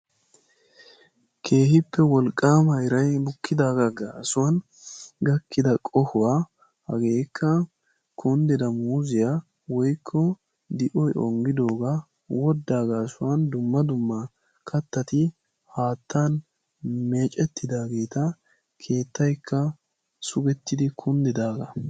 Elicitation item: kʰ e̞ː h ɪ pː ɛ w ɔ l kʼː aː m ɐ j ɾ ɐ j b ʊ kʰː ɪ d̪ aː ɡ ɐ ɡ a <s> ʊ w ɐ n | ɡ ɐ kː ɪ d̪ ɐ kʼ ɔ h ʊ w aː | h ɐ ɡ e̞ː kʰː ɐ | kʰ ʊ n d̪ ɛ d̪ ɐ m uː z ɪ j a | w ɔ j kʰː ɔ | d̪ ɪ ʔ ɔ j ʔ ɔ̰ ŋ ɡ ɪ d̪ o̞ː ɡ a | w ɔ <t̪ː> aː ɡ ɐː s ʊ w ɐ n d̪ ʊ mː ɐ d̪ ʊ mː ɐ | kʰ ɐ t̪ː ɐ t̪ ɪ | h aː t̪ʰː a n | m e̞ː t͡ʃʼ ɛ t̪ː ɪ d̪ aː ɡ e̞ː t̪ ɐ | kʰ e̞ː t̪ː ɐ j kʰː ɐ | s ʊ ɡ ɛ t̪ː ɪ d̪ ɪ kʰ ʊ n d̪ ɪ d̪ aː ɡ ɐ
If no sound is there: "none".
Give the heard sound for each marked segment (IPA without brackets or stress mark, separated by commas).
s, d̪ː